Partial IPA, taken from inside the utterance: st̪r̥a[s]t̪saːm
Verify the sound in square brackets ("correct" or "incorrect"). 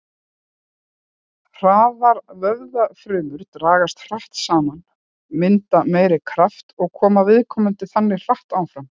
incorrect